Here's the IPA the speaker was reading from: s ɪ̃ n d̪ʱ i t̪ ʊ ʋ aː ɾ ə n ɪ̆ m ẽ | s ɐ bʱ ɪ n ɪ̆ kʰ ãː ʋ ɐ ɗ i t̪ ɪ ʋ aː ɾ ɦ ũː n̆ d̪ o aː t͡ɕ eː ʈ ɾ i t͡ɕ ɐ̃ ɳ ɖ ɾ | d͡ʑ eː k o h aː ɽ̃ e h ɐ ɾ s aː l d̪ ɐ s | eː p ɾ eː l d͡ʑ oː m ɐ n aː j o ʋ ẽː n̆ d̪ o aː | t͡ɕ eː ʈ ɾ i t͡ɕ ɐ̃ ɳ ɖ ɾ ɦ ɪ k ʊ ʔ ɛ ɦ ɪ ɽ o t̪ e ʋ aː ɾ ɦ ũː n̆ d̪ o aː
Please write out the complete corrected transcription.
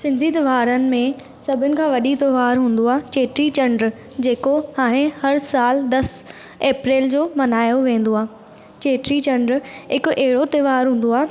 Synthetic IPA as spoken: s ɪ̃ n d̪ʱ i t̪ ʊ ʋ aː ɾ ə n ɪ̆ m ẽ | s ɐ bʱ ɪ n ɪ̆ kʰ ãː ʋ ɐ ɗ i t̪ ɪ ʋ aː ɾ ɦ ũː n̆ d̪ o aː t͡ɕ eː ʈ ɾ i t͡ɕ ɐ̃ ɳ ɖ ɾ | d͡ʑ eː k o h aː ɽ̃ e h ɐ ɾ s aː l d̪ ɐ s | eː p ɾ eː l d͡ʑ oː m ɐ n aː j o ʋ ẽː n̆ d̪ o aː | t͡ɕ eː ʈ ɾ i t͡ɕ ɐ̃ ɳ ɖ ɾ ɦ ɪ k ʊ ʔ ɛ ɦ ɪ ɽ o t̪ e ʋ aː ɾ ɦ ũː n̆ d̪ o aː